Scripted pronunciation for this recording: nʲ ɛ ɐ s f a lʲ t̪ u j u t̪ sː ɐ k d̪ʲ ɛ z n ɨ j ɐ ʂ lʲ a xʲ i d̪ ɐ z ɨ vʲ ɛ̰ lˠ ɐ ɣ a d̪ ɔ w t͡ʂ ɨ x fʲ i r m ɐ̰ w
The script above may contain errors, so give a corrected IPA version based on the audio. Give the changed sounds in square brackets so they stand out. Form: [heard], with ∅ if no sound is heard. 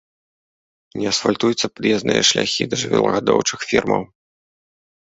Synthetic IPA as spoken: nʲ ɛ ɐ s f a lʲ t̪ u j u t̪ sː ɐ [p] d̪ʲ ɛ z n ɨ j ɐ ʂ lʲ a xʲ i d̪ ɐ [ʐ] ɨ vʲ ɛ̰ lˠ ɐ ɣ a d̪ ɔ w t͡ʂ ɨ x fʲ i r m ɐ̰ w

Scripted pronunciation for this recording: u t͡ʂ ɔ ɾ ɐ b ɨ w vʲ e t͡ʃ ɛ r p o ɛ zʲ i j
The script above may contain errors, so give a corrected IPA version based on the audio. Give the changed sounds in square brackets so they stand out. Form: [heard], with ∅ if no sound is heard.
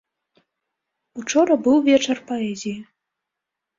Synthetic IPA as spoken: u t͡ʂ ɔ ɾ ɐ b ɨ w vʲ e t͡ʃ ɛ r p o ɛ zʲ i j

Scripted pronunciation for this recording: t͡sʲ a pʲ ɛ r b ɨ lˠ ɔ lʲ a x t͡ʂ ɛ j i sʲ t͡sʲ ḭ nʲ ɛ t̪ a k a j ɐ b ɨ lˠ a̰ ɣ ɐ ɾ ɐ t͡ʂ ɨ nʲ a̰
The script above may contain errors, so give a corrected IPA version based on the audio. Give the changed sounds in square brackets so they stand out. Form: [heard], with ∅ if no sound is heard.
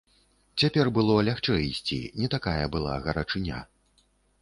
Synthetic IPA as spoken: t͡sʲ a pʲ ɛ r b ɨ lˠ ɔ lʲ a x t͡ʂ ɛ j i sʲ t͡sʲ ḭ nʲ ɛ t̪ a k a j ɐ b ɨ lˠ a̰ ɣ ɐ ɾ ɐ t͡ʂ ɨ nʲ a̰

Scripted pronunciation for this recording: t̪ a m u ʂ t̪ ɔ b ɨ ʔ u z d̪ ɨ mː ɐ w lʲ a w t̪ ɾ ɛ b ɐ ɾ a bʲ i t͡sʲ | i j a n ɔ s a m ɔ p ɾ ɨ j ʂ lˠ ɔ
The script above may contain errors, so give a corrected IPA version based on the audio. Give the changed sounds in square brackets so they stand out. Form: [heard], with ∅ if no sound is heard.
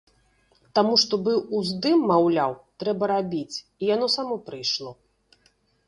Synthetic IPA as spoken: t̪ a m u ʂ t̪ ɔ b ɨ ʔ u z d̪ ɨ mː [a] w lʲ a w t̪ ɾ ɛ b ɐ ɾ a bʲ i t͡sʲ | i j a n ɔ s a m ɔ p ɾ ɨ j ʂ lˠ ɔ

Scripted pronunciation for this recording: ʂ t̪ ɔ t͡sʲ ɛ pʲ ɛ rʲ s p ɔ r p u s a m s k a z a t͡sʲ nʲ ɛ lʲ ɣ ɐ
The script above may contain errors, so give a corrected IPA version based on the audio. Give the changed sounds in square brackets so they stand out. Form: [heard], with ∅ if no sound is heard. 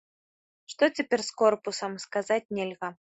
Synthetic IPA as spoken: ʂ t̪ ɔ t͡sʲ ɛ pʲ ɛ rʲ s [k] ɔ r p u s [ɐ] m s k a z a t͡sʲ nʲ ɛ lʲ ɣ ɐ

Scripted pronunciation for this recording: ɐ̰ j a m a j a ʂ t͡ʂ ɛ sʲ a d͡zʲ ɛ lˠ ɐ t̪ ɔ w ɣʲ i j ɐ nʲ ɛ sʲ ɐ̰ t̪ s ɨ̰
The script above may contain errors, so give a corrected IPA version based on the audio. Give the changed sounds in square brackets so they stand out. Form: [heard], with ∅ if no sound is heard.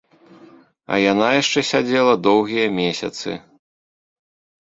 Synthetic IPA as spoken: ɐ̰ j a [n] a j a ʂ t͡ʂ ɛ sʲ a d͡zʲ ɛ lˠ ɐ [d̪] ɔ w ɣʲ i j ɐ [mʲ] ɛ sʲ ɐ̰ t̪ s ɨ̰

